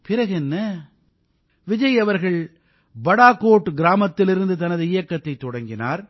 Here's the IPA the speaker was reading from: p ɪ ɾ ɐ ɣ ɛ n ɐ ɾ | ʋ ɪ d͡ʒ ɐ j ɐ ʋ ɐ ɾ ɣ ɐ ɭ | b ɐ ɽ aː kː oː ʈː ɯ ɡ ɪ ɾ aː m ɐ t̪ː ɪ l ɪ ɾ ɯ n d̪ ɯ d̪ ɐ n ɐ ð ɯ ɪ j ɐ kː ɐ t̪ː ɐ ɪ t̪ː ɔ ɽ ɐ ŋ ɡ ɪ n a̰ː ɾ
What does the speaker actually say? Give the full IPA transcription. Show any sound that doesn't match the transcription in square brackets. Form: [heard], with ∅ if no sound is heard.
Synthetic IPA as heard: p ɪ ɾ ɐ ɣ ɛ [nː] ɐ [∅] | ʋ ɪ d͡ʒ ɐ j ɐ ʋ ɐ ɾ ɣ ɐ ɭ | b ɐ ɽ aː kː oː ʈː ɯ ɡ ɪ ɾ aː m ɐ t̪ː ɪ l ɪ ɾ ɯ n d̪ ɯ [t̪] ɐ n ɐ ð ɯ ɪ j ɐ kː ɐ t̪ː ɐ ɪ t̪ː ɔ ɽ ɐ ŋ ɡ ɪ n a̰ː ɾ